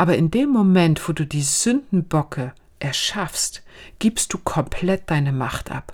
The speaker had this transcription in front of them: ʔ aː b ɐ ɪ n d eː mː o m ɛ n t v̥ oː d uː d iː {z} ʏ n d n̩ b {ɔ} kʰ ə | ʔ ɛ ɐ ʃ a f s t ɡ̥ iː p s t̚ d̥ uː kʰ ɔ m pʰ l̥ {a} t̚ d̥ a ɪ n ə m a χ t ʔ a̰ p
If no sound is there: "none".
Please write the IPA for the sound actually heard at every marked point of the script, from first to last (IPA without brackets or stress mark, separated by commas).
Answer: z, ɔ, ɛ